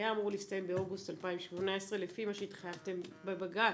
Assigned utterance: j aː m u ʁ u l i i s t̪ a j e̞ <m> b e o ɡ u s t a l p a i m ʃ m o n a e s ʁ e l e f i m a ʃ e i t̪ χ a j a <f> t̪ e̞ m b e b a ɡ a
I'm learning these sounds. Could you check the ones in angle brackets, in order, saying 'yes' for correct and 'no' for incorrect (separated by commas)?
yes, no